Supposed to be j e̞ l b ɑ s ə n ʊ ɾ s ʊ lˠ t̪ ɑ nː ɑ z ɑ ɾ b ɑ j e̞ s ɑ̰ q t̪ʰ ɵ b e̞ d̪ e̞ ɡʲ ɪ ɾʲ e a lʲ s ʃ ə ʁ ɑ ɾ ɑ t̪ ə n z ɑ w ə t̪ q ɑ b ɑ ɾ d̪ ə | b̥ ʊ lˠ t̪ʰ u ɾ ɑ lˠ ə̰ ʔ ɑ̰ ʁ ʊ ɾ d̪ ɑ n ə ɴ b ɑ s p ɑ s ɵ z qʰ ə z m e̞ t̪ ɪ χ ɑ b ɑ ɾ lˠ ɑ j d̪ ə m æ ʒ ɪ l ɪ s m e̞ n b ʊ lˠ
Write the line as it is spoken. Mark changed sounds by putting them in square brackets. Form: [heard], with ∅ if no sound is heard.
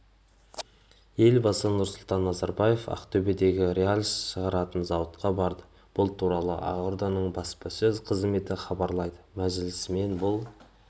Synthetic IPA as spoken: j e̞ l b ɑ s ə n ʊ ɾ s ʊ lˠ t̪ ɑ nː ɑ z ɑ ɾ b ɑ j e̞ [f] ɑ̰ q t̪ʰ ɵ b e̞ d̪ e̞ ɡʲ ɪ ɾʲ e a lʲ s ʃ ə ʁ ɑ ɾ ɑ t̪ ə n z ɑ w ə t̪ q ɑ b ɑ ɾ d̪ ə | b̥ ʊ lˠ t̪ʰ u ɾ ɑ lˠ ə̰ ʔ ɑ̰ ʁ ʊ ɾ d̪ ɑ n ə ɴ b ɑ s p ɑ s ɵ z qʰ ə z m e̞ t̪ ɪ χ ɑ b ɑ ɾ lˠ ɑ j d̪ ə m æ ʒ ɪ l ɪ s m e̞ n b ʊ lˠ